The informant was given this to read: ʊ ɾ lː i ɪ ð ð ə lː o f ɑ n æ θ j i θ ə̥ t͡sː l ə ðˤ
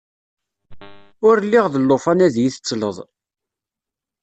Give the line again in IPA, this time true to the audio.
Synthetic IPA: ʊ ɾ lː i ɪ ʁ ð ə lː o f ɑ n æ ð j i θ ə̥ t͡sː l ə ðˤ

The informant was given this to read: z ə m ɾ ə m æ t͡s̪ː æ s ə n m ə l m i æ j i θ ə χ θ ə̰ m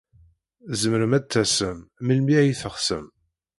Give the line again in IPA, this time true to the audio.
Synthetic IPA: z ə m ɾ ə m æ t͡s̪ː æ s ə m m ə l m i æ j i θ ə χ s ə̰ m

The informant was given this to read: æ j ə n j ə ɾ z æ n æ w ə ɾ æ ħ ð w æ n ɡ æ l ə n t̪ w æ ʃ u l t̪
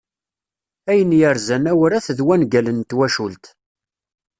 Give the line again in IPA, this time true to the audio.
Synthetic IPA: æ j ə n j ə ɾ z æ n æ w ə ɾ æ θ ð w æ n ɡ æ l ə n t̪ w æ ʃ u l t̪

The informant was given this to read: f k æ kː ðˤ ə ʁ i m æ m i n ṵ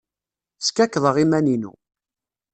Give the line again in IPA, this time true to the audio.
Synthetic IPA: s k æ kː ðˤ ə ʁ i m æ n i n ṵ

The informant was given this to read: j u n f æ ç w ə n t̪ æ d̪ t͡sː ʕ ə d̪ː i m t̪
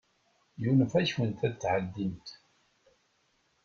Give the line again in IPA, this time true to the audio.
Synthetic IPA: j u n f æ ç w ə n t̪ æ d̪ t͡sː ʕ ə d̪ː i m t̪

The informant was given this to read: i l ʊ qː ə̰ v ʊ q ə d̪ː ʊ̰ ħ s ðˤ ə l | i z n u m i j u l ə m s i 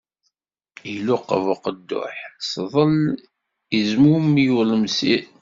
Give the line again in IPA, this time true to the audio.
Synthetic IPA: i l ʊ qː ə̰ v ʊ q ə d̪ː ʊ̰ ħ s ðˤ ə l | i z m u m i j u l ə m s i

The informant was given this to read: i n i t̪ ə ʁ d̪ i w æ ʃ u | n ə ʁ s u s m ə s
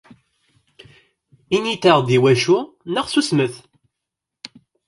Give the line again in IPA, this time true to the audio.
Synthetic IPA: i n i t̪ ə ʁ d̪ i w æ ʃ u | n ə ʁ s u s m ə θ

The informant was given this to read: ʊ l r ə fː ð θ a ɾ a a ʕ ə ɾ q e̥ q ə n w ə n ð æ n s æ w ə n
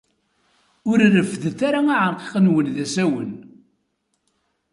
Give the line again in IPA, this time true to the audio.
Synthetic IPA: ʊ ɾ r ə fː ð θ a ɾ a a ʕ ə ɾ q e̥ q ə n w ə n ð æ s æ w ə n

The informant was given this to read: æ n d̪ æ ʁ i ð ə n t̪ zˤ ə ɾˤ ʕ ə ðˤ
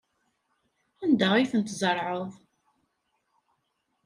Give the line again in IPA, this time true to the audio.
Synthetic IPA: æ n d̪ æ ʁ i θ ə n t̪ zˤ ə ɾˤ ʕ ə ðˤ

